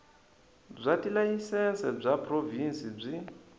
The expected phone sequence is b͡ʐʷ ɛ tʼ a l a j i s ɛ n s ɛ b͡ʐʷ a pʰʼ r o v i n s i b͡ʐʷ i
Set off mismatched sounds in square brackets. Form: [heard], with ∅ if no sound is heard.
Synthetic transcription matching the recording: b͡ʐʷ [a] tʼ [i] l a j i s ɛ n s ɛ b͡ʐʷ a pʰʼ r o v i n s i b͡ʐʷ i